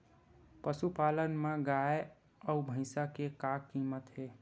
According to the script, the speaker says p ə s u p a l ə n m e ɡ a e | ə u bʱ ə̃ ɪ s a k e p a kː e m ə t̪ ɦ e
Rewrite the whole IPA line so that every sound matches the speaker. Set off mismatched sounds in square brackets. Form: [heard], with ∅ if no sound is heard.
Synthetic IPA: p ə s u p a l ə n m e ɡ a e | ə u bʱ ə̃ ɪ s a k e [k] a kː [i] m ə t̪ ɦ e